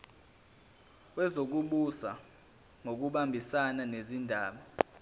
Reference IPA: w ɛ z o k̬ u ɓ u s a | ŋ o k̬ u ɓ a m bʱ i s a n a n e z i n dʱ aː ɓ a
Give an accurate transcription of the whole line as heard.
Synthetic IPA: w ɛ z o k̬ u ɓ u s a | ŋ o k̬ u ɓ a m bʱ i s a n a n e z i n dʱ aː ɓ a